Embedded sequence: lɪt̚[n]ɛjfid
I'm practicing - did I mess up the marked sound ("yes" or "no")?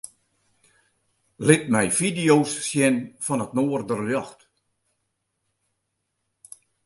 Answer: yes